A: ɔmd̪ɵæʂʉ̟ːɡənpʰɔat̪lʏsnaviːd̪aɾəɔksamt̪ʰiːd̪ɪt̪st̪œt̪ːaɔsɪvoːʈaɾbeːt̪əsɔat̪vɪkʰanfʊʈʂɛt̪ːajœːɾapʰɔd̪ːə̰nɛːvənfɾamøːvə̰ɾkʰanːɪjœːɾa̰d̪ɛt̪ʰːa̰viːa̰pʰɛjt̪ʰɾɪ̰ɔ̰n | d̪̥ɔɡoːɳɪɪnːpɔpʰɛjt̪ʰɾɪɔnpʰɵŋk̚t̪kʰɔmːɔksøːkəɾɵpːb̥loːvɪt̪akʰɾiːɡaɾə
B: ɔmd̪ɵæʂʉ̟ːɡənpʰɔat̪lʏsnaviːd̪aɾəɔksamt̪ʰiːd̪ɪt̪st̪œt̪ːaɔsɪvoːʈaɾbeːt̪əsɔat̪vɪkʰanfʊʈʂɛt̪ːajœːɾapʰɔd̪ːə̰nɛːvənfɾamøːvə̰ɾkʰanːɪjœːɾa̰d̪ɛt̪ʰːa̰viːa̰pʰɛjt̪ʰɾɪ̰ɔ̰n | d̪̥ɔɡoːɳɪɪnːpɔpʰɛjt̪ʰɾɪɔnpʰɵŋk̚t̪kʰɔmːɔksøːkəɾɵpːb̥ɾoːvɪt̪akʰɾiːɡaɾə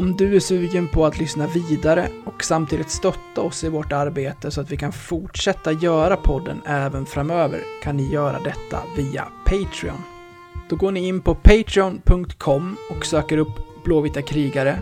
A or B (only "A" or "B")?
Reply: A